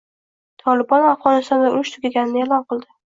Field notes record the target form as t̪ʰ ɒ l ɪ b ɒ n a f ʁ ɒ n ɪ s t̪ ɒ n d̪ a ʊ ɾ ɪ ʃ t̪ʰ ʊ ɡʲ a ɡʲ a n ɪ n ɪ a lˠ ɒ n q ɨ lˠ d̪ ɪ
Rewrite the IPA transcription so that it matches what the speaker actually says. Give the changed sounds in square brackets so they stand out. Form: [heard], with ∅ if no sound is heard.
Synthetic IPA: t̪ʰ ɒ l ɪ b ɒ n a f ʁ ɒ n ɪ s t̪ ɒ n d̪ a ʊ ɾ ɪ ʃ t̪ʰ ʊ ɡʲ a ɡʲ a n ɪ n ɪ [e] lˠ ɒ n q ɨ lˠ d̪ ɪ

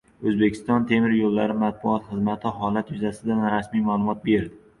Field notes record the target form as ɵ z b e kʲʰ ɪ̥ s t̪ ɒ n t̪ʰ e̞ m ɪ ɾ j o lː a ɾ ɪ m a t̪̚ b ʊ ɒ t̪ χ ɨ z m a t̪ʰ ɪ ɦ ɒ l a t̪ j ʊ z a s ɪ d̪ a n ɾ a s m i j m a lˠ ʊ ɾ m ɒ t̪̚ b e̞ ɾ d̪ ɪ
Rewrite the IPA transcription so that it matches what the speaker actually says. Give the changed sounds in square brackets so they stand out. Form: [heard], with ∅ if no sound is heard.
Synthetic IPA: ɵ z b e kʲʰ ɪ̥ s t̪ ɒ n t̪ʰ e̞ m ɪ ɾ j o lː a ɾ ɪ m a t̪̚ b ʊ ɒ t̪ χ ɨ z m a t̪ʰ ɪ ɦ ɒ l a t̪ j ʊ z a s ɪ d̪ a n ɾ a s m i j m a lˠ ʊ [∅] m ɒ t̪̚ b e̞ ɾ d̪ ɪ

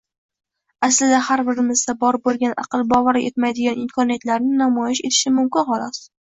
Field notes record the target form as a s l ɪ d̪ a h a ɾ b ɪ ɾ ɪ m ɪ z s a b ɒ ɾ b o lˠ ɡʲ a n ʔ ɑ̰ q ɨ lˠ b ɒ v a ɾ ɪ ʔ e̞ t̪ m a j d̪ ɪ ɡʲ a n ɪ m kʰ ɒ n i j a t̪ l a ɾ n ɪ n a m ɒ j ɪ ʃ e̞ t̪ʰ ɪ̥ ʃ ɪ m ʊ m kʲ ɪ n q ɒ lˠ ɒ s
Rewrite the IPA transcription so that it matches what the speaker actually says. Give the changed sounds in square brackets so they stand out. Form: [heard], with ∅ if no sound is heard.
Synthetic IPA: a s l ɪ d̪ a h a ɾ b ɪ ɾ ɪ m ɪ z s a b ɒ ɾ b o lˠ ɡʲ a n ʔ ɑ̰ q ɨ lˠ b ɒ v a ɾ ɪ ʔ e̞ t̪ m a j d̪ ɪ ɡʲ a n ɪ m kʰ ɒ n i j a t̪ l a ɾ n ɪ n a m ɒ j ɪ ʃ e̞ t̪ʰ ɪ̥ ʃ ɪ m ʊ m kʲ ɪ n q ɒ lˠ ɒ s

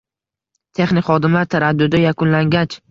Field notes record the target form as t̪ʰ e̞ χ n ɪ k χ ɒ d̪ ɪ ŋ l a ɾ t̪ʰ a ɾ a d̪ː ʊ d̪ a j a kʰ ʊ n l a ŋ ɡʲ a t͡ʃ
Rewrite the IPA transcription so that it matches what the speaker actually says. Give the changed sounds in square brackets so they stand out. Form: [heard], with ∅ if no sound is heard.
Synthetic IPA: t̪ʰ e̞ χ n ɪ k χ ɒ d̪ ɪ [m] l a ɾ t̪ʰ a ɾ a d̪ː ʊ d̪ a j a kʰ ʊ n l a ŋ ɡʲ a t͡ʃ

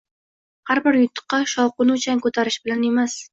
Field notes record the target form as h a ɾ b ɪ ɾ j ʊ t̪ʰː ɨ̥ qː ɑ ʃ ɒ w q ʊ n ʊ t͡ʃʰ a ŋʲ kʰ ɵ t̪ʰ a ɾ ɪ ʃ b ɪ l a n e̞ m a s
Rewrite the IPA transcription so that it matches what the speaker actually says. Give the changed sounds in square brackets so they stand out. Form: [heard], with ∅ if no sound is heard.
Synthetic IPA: h a ɾ b ɪ ɾ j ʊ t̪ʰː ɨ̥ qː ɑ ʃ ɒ w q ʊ n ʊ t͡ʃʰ a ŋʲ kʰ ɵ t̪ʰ a ɾ ɪ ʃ b ɪ l a n e̞ m a s

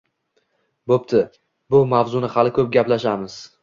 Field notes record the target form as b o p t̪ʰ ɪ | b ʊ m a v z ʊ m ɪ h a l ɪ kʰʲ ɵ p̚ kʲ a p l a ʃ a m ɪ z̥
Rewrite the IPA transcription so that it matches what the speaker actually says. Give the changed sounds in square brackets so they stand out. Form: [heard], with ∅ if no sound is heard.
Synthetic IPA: b o p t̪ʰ ɪ | b ʊ m a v z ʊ [n] ɪ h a l ɪ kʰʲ ɵ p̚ [ɡʲ] a p l a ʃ a m ɪ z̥

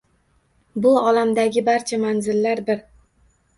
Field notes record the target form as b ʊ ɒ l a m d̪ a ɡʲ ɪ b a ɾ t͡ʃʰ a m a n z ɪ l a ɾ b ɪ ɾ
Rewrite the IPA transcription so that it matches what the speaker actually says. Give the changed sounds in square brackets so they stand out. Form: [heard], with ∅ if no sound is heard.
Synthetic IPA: b ʊ ɒ l a m d̪ a ɡʲ ɪ b a ɾ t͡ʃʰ a m a n z ɪ [lː] a ɾ b ɪ ɾ

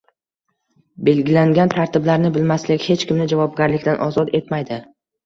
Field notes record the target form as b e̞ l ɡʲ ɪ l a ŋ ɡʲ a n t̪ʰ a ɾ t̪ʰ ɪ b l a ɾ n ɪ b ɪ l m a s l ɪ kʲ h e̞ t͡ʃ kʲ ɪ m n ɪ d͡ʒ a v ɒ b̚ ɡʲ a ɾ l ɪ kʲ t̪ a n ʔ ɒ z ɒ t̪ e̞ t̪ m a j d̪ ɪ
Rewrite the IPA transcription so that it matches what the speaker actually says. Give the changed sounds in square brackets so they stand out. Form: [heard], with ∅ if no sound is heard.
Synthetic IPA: b e̞ l ɡʲ ɪ l a ŋ ɡʲ a n t̪ʰ a ɾ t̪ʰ ɪ b l a ɾ n ɪ b ɪ l m a s l ɪ kʲ h e̞ t͡ʃ kʲ ɪ m n ɪ d͡ʒ a v ɒ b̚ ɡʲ a ɾ l ɪ kʲ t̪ a n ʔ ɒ z ɒ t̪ e̞ t̪ m a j d̪ ɪ

